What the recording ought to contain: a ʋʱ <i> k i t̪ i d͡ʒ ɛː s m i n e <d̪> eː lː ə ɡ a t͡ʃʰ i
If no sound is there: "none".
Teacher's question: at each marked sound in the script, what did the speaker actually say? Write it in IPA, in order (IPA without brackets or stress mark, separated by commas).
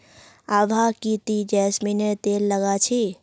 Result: a, t̪